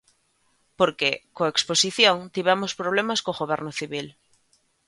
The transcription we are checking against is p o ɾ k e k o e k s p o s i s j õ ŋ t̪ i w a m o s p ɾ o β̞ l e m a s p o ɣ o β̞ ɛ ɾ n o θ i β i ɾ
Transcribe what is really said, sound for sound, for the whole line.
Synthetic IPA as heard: p o ɾ k e k o e k s p o s i θ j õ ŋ t̪ i β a m o s p ɾ o β̞ l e m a s k o ɣ o β̞ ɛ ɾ n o θ i β i l